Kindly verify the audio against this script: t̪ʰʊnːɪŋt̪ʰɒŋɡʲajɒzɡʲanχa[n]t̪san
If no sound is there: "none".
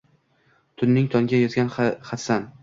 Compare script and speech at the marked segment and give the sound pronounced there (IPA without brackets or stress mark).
none